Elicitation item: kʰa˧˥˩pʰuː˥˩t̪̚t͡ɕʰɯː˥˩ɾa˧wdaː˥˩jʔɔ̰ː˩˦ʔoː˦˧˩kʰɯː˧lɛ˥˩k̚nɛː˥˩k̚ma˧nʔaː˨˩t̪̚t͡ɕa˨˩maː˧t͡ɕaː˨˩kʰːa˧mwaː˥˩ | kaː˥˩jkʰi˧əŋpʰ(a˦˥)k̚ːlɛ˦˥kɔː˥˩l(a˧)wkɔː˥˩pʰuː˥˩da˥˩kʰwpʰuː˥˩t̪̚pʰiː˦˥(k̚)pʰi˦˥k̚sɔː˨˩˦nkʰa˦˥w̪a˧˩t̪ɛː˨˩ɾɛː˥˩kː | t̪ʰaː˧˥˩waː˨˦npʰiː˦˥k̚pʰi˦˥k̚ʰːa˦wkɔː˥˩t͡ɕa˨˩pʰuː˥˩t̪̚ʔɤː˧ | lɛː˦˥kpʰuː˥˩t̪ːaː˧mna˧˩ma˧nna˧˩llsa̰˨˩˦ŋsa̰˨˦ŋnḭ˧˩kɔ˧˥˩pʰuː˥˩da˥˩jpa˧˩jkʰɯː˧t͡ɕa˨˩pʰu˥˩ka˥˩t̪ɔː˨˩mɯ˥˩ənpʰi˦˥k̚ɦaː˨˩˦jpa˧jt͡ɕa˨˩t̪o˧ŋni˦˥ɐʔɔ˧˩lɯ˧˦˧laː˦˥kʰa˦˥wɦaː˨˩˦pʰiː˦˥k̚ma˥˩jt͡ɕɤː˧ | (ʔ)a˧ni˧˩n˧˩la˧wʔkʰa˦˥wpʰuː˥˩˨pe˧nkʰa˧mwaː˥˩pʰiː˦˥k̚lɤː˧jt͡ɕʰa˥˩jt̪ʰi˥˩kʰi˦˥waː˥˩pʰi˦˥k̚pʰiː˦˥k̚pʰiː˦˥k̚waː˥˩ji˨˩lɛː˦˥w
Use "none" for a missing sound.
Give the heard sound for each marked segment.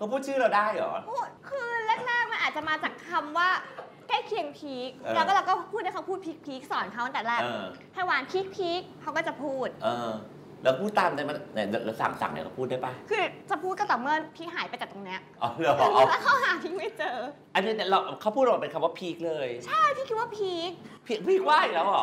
i˦˥, a˧, k̚, ʔ

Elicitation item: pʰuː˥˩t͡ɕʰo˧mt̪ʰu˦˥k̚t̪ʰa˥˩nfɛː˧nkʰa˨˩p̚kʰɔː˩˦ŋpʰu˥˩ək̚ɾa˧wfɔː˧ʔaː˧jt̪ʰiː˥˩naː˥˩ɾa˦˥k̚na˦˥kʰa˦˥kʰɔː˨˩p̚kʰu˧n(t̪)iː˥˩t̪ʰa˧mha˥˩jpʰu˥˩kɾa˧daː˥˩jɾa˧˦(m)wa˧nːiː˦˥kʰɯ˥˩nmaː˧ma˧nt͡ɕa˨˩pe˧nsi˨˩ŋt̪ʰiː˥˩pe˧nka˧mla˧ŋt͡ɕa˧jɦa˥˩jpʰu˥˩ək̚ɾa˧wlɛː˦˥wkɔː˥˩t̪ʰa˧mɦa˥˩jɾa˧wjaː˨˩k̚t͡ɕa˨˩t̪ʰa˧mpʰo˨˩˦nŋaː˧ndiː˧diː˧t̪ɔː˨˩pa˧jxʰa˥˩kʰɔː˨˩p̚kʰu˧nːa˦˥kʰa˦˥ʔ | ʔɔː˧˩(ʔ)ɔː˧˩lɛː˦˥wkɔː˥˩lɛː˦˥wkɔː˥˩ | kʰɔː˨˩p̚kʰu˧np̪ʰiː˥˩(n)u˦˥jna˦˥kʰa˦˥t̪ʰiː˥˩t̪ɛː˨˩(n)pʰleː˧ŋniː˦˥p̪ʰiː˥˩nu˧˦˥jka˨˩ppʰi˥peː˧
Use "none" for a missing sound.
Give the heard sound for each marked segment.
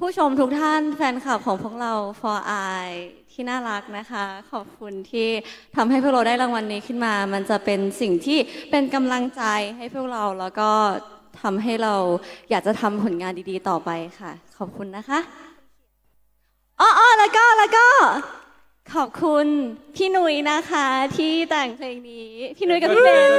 t̪ʰ, ŋ, ʔ, n, ŋ

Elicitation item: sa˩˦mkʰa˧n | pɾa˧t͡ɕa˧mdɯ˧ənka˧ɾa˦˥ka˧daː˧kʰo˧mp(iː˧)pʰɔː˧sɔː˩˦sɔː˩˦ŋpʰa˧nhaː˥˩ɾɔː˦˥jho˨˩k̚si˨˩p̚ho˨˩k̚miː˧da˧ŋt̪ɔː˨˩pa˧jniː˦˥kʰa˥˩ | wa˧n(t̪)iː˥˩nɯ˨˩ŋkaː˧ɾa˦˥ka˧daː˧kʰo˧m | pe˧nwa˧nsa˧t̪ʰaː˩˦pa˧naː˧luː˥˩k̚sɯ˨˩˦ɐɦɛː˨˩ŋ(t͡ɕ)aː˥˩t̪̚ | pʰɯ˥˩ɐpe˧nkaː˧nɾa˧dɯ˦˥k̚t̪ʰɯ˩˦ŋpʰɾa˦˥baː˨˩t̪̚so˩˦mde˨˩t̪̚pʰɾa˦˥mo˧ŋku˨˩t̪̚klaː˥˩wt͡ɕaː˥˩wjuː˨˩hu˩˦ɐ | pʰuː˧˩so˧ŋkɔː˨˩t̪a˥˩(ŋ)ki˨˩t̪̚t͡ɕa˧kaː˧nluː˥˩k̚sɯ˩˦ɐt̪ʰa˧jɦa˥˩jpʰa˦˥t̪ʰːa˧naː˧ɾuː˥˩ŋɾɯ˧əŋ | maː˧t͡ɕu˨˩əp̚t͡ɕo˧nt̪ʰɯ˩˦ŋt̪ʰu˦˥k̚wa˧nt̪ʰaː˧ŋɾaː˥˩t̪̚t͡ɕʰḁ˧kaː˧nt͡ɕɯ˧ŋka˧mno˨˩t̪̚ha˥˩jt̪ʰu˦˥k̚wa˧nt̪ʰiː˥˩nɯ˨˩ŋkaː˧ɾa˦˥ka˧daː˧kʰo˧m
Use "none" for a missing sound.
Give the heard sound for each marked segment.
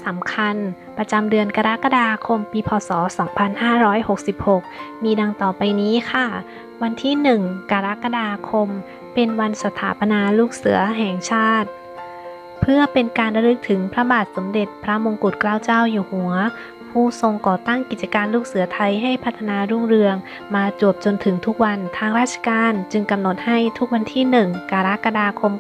iː˧, t̪ʰ, t͡ɕʰ, ŋ

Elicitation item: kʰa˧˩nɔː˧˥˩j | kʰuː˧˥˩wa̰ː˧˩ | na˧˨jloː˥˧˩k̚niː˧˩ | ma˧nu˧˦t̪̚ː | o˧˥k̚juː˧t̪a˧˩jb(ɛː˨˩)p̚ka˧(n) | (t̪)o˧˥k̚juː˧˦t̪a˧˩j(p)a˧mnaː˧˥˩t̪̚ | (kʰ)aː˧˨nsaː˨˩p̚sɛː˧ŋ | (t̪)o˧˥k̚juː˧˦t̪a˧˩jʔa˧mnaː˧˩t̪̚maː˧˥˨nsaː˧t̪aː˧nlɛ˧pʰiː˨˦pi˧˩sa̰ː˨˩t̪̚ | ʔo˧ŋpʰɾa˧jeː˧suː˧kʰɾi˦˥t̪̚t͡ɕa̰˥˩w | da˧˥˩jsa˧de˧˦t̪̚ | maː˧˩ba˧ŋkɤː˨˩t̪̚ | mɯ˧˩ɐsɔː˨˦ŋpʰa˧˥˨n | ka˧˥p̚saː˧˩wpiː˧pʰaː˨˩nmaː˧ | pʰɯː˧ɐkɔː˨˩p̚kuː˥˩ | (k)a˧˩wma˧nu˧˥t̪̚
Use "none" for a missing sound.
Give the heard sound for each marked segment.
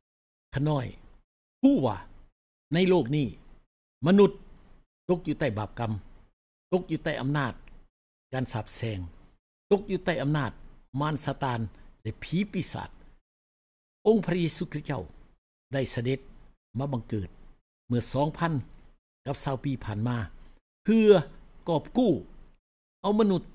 aː˨˩, m, t̪, ʔ, k, t̪, ʔ

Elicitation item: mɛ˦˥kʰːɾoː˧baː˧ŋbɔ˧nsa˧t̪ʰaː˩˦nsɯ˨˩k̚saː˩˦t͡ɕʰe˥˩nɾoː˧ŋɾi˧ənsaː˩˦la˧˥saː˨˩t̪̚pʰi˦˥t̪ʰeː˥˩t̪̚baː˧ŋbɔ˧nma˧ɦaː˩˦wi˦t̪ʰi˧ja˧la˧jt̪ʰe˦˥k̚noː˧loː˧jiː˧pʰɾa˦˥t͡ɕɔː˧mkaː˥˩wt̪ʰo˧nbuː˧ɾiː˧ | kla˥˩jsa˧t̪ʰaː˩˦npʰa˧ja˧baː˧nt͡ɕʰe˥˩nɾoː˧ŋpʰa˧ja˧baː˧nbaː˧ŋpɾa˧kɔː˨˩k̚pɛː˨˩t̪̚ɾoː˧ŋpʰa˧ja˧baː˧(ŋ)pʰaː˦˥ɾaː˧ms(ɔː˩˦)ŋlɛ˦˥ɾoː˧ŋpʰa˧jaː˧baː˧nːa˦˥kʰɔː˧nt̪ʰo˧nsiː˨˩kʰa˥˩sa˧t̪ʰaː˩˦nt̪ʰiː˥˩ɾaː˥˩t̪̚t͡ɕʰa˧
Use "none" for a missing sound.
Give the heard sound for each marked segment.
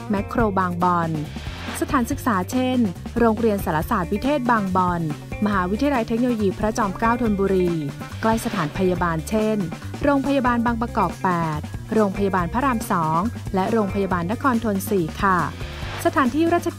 n, ɔː˩˦

